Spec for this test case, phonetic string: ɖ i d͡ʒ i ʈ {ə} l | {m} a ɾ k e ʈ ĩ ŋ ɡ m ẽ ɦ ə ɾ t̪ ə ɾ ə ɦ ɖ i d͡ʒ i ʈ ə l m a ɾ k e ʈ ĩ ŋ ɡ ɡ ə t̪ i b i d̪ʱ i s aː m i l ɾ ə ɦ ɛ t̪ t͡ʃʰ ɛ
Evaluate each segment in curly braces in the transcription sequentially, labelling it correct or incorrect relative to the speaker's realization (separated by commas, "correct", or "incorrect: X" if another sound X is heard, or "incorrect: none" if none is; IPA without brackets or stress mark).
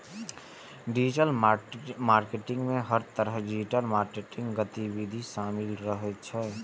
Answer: correct, correct